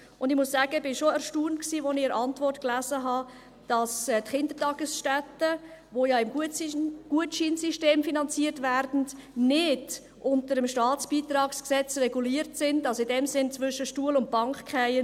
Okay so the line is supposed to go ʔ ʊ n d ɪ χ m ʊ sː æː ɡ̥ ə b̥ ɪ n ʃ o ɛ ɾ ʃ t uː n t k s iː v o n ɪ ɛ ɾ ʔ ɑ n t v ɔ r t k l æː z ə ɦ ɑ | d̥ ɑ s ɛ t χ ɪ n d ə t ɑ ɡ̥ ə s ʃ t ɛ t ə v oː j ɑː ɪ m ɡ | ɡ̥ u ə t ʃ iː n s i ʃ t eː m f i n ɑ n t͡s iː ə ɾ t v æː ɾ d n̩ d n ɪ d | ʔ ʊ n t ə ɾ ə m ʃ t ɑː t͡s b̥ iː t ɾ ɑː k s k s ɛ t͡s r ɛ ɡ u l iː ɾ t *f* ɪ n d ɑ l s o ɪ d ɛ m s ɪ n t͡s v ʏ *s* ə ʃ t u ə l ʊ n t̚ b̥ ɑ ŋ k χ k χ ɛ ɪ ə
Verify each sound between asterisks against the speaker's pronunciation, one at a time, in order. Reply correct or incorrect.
incorrect, incorrect

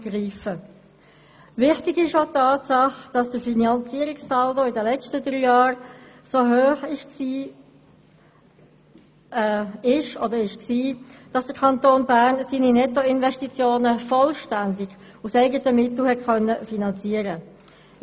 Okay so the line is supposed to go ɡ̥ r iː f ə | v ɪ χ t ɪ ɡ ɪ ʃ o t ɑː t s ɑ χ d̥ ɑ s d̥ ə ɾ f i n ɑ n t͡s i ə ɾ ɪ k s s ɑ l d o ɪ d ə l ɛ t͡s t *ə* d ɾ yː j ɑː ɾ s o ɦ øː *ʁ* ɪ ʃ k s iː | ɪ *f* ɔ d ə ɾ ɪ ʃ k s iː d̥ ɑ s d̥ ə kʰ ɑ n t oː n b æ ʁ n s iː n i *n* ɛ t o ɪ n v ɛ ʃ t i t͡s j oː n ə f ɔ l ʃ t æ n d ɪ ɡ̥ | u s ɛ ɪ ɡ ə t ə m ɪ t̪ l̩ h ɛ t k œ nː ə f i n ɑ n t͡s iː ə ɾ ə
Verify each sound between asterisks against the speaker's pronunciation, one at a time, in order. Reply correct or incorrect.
correct, incorrect, incorrect, correct

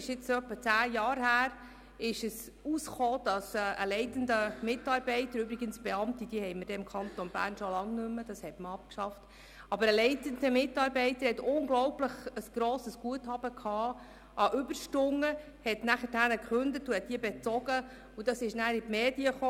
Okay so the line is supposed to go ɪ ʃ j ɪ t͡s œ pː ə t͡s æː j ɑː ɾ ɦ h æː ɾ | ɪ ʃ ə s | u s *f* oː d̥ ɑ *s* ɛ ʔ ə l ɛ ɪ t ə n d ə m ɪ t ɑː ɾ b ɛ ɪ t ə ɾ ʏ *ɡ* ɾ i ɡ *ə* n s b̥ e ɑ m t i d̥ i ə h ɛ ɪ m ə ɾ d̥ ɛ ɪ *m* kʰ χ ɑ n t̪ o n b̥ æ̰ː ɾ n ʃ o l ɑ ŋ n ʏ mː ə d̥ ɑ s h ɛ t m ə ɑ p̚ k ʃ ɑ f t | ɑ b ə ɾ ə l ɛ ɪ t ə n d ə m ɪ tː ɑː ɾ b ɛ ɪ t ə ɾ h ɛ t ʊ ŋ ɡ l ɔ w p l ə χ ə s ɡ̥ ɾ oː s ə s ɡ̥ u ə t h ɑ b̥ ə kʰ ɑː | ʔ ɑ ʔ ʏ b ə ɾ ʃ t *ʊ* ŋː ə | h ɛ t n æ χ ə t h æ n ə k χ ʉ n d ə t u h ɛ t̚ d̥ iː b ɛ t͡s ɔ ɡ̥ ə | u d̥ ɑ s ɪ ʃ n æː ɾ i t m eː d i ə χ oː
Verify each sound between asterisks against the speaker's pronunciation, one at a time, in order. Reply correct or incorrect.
incorrect, correct, incorrect, correct, correct, correct

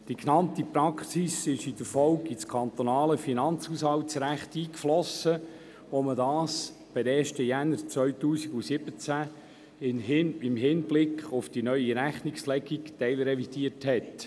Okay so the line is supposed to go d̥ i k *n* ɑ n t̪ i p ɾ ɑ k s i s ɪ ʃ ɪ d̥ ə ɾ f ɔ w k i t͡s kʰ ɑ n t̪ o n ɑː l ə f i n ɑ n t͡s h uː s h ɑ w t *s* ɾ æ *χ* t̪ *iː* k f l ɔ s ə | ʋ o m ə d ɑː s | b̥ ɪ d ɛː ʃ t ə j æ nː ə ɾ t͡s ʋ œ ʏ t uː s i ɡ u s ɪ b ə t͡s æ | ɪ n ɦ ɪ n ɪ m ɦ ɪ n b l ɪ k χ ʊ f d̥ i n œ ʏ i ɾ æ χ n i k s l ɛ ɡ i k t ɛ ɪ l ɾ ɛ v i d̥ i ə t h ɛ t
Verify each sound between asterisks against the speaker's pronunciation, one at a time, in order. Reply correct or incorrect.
correct, correct, correct, correct

